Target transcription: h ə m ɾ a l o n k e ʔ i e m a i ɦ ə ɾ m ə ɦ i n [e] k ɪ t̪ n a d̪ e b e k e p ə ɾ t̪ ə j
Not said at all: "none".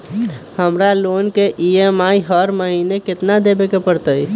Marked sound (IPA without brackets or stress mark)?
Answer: e